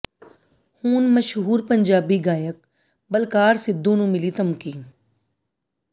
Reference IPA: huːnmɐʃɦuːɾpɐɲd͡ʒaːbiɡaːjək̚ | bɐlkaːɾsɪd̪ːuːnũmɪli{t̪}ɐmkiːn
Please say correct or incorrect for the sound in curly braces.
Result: correct